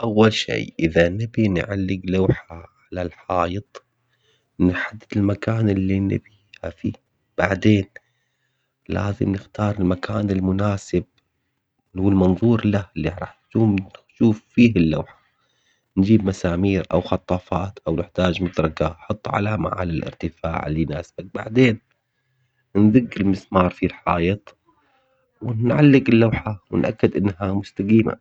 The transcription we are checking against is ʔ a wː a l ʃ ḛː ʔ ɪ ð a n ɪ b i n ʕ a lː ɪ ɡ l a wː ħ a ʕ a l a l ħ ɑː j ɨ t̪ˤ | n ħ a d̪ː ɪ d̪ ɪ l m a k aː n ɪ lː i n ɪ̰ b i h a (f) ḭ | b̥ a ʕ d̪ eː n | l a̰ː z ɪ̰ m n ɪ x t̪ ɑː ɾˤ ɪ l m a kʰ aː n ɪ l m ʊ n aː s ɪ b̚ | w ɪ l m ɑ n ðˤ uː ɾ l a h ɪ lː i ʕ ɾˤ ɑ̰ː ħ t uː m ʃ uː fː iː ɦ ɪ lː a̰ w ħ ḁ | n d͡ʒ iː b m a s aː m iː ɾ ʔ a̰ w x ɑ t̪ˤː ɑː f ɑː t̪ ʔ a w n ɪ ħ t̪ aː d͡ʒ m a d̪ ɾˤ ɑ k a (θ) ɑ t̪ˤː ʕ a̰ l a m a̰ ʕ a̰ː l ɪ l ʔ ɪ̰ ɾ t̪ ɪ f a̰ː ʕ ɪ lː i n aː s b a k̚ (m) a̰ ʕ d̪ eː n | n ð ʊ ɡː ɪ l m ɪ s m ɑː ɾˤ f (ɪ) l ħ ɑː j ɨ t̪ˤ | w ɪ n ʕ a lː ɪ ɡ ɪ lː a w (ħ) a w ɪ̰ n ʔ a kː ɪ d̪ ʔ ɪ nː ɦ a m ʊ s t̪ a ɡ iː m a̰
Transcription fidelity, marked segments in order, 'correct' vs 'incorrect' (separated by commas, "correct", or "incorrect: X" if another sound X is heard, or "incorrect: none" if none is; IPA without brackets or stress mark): correct, incorrect: ħ, incorrect: b, incorrect: i, correct